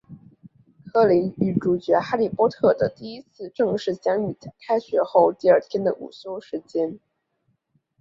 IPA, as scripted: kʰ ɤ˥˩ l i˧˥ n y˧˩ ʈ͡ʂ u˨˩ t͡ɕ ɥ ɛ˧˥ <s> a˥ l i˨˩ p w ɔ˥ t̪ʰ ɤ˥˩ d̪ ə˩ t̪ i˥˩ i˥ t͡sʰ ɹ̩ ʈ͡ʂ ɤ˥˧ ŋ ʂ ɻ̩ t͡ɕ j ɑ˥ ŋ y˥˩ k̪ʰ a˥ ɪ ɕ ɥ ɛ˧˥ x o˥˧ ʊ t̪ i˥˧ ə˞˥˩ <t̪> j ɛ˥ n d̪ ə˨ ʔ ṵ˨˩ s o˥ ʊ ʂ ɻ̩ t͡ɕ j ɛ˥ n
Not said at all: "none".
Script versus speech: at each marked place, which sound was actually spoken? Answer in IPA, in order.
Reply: x, t̪ʰ

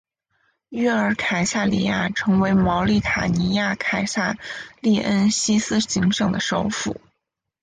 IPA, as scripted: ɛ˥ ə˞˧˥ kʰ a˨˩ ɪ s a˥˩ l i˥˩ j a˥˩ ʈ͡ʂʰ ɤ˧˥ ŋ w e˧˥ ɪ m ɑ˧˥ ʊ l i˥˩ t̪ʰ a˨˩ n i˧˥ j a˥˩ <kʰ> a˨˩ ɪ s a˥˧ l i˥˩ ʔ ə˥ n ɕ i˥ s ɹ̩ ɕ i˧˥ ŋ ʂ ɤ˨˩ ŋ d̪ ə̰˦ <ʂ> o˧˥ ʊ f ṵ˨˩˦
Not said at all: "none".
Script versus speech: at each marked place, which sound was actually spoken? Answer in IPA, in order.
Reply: kʰ, ʂ

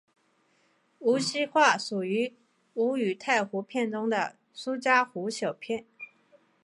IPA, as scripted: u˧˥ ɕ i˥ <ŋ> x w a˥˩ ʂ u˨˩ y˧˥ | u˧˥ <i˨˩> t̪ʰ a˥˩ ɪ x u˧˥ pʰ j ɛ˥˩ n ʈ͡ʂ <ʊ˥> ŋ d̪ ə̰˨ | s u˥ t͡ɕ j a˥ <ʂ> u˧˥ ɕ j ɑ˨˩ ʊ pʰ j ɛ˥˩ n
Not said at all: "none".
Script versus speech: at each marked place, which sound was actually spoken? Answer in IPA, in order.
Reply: none, y˨˩, ʊ˥, x

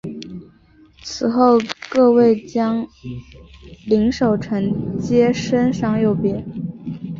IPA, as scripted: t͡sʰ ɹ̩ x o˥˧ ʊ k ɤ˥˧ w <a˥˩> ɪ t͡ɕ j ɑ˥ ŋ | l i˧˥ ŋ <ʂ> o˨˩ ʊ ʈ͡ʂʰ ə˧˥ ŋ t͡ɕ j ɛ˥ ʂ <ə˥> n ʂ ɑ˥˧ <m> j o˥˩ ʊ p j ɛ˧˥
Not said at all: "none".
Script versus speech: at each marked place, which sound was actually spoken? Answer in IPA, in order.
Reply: e˥˩, ʂ, ə˥, ŋ

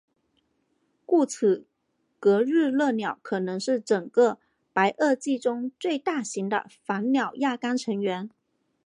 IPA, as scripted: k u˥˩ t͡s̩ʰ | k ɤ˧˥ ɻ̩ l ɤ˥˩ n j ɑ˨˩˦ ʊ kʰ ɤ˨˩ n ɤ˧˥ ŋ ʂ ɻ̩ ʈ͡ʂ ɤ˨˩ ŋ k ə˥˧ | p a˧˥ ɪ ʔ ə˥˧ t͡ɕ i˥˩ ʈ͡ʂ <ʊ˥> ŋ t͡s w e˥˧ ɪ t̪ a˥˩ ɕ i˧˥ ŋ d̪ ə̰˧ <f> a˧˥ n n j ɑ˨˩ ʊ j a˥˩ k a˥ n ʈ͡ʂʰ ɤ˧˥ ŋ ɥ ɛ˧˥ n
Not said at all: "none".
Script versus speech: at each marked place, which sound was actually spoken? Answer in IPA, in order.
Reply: ʊ˥, f

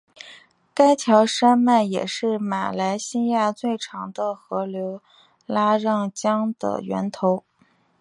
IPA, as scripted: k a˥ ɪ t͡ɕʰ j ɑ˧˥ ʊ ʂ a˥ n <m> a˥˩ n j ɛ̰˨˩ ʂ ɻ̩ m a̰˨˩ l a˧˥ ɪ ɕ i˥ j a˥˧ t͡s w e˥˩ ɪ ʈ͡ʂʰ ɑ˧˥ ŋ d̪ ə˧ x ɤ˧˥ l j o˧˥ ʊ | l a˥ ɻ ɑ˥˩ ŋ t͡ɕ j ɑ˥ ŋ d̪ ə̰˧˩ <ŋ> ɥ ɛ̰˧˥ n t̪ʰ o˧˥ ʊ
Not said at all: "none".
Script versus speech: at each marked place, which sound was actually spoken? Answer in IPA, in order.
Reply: m, none

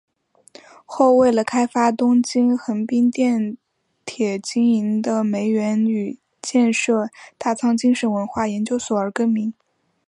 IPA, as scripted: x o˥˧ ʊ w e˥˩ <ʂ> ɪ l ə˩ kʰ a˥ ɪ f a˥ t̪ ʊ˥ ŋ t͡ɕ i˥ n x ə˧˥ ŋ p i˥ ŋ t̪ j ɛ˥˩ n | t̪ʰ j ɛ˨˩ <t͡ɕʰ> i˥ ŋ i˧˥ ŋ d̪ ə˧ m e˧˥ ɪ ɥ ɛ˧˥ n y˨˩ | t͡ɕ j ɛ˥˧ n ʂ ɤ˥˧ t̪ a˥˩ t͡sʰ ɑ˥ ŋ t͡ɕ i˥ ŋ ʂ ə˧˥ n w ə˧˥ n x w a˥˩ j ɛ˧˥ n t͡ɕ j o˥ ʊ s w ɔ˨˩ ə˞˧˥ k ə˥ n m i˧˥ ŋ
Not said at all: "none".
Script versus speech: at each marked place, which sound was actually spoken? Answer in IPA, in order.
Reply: none, t͡ɕ

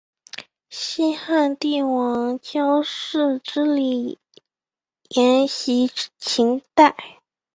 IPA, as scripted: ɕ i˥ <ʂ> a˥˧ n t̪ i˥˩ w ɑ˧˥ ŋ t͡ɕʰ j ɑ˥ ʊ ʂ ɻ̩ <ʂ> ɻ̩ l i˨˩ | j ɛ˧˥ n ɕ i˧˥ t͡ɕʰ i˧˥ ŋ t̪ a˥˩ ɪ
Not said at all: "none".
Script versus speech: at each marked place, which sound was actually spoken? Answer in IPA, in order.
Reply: x, ʈ͡ʂ

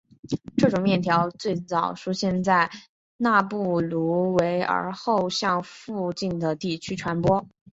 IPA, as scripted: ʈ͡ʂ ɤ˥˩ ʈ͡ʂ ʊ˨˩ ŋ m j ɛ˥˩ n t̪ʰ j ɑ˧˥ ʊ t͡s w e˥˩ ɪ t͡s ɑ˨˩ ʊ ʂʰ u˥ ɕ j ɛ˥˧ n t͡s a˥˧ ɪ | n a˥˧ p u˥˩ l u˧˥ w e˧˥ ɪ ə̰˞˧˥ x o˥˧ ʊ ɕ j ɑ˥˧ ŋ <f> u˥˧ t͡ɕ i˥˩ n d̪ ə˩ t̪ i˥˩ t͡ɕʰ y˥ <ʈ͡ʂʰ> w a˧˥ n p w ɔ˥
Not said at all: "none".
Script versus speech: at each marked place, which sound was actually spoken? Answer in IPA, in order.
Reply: f, ʈ͡ʂʰ

